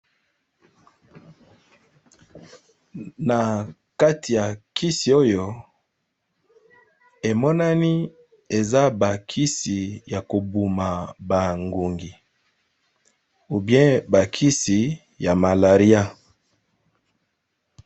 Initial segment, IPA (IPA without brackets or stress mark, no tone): n